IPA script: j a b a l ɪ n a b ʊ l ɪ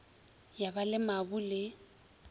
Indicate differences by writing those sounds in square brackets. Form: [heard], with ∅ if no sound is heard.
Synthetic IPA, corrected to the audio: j a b a l ɪ [m] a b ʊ l ɪ